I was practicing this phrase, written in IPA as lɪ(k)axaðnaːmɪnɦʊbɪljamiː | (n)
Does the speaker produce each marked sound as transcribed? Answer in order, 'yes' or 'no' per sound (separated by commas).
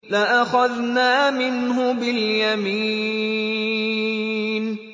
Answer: no, yes